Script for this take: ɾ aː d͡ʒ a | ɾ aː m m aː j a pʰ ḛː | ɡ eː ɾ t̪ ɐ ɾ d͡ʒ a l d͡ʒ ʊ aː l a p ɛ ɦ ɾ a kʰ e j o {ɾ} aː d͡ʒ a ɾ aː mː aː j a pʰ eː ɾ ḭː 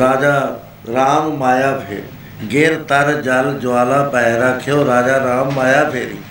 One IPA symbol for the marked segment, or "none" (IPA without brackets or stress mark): ɾ